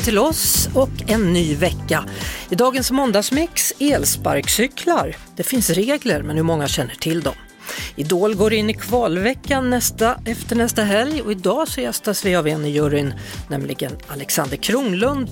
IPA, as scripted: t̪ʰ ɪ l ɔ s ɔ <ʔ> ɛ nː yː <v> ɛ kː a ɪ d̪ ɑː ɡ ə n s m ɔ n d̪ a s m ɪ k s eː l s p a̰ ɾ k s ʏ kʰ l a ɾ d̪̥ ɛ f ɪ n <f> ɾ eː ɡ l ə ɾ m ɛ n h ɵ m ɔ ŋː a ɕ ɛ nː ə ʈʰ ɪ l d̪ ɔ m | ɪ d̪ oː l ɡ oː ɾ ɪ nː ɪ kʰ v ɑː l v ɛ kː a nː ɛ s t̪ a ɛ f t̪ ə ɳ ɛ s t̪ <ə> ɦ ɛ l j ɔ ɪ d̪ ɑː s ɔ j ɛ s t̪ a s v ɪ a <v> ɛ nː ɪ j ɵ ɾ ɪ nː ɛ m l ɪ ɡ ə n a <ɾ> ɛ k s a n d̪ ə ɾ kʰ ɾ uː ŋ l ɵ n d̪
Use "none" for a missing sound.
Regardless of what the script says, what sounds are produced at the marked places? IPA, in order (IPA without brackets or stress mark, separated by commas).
k, v, s, a, v, l